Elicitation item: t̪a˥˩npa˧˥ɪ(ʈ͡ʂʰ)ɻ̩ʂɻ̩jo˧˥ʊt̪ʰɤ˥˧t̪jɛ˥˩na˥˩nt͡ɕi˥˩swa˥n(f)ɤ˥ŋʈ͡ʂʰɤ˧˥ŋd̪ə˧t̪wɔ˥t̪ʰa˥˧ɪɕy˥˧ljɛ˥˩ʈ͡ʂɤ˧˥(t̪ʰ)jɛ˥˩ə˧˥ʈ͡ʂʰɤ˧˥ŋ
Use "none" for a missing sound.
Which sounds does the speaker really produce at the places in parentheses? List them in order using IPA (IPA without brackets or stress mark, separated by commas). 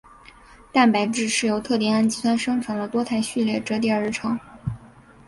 ʈ͡ʂ, ʂ, t̪